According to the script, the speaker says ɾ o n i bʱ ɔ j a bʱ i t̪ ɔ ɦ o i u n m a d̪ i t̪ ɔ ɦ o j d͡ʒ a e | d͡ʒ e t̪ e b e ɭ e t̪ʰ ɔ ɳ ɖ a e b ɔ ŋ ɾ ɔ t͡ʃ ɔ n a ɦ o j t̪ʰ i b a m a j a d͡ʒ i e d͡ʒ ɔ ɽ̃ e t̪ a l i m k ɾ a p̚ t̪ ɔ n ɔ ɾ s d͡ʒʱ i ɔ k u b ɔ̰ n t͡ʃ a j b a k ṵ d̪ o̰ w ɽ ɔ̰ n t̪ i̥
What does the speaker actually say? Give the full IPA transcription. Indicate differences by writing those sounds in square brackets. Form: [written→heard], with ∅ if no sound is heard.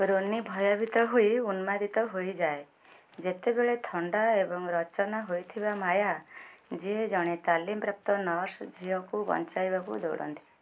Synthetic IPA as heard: ɾ o n i bʱ ɔ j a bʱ i t̪ ɔ ɦ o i u n m a d̪ i t̪ ɔ ɦ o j d͡ʒ a e | d͡ʒ e t̪ e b e ɭ e t̪ʰ ɔ ɳ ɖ a e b ɔ ŋ ɾ ɔ t͡ʃ ɔ n a ɦ o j t̪ʰ i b a m a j a d͡ʒ i e d͡ʒ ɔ ɽ̃ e t̪ a l i m [k→p] ɾ a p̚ t̪ ɔ n ɔ ɾ s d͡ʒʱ i ɔ k u b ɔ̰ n t͡ʃ a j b a k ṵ d̪ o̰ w ɽ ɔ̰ n t̪ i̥